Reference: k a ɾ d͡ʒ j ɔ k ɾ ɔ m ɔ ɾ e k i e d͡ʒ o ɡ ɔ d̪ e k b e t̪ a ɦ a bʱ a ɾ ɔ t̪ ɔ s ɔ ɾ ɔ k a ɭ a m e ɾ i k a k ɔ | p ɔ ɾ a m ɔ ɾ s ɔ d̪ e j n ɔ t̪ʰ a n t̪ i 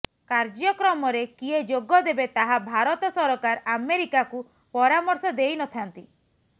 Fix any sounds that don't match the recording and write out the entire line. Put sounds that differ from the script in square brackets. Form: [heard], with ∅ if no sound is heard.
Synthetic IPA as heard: k a ɾ d͡ʒ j ɔ k ɾ ɔ m ɔ ɾ e k i e d͡ʒ o ɡ ɔ d̪ e [∅] b e t̪ a ɦ a bʱ a ɾ ɔ t̪ ɔ s ɔ ɾ ɔ k a [ɾ] a m e ɾ i k a k [u] | p ɔ ɾ a m ɔ ɾ s ɔ d̪ e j n ɔ t̪ʰ a n t̪ i